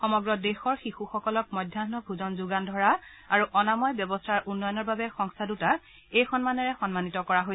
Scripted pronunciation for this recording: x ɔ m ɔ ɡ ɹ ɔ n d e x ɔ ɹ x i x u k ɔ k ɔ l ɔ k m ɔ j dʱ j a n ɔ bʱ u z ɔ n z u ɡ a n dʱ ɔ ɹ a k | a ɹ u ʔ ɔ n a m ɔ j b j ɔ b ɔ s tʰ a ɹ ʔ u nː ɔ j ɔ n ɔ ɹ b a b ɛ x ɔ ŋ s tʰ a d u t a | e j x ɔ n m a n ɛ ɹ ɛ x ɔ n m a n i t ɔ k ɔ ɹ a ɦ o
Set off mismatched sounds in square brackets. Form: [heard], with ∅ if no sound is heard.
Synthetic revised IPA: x ɔ m ɔ ɡ ɹ ɔ [∅] d e x ɔ ɹ x i x u [x] ɔ k ɔ l ɔ k m ɔ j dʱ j a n ɔ bʱ u z ɔ n z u ɡ a n dʱ ɔ ɹ a [∅] | a ɹ u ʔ ɔ n a m ɔ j b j ɔ b ɔ s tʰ a ɹ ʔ u nː ɔ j ɔ n ɔ ɹ b a b ɛ x ɔ ŋ s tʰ a d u t a | e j x ɔ n m a n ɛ ɹ ɛ x ɔ n m a n i t ɔ k ɔ ɹ a ɦ o